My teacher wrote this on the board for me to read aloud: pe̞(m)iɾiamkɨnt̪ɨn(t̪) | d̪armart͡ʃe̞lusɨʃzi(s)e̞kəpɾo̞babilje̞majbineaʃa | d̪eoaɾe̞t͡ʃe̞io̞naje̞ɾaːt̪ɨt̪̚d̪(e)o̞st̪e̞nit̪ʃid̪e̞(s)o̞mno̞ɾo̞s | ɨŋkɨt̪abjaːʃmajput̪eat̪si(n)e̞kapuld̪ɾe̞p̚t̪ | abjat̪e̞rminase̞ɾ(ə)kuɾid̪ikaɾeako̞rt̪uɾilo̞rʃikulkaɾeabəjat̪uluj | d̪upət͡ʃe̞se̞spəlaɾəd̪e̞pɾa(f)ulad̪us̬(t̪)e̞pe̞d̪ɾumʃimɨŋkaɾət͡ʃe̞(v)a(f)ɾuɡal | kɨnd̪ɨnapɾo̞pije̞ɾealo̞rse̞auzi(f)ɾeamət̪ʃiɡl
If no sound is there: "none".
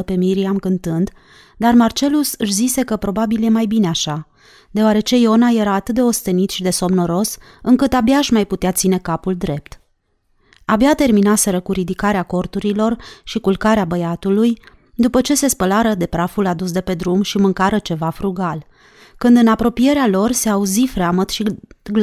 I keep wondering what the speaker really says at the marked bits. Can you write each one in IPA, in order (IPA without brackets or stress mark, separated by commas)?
m, d̪, s, e, s, n, ə, f, d̪, v, f, f